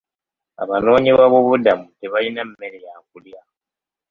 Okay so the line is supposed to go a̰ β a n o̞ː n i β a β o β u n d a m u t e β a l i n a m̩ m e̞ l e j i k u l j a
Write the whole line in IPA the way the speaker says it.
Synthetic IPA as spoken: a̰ β a n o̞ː ɲ i β a β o β u d a m u t e β a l i n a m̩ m e̞ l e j a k u l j a